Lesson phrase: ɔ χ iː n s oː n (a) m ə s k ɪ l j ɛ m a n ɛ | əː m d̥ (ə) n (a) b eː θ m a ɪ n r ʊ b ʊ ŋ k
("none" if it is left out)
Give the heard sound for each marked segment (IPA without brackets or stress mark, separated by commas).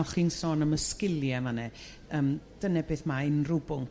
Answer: ə, ə, ɛ